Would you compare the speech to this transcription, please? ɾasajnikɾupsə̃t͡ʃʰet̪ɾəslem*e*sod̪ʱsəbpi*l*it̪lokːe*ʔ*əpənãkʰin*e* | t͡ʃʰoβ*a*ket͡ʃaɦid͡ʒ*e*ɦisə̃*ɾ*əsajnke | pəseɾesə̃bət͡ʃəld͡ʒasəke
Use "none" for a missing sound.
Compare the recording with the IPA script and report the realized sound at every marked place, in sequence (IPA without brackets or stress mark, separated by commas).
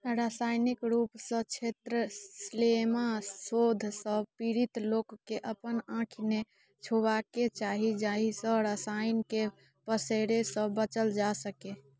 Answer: a, ɾ, ʔ, e, a, a, ɾ